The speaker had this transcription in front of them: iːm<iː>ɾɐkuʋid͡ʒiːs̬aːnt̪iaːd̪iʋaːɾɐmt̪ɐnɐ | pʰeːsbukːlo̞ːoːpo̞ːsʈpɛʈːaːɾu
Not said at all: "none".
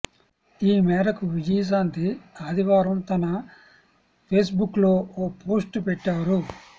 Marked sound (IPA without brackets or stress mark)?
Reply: ɛː